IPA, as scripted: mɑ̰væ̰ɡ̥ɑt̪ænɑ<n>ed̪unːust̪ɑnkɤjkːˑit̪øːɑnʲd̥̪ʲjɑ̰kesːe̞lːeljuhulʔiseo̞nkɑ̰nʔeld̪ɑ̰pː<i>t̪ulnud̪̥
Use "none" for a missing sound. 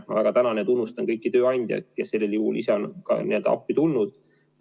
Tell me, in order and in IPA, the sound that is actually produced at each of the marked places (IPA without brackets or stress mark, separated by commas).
n, i